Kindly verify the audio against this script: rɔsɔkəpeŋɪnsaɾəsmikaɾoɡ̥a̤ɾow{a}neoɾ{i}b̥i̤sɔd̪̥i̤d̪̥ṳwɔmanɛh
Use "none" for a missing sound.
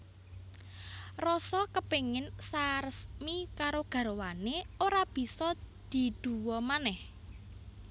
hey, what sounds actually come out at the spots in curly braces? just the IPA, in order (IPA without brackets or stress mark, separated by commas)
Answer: a, a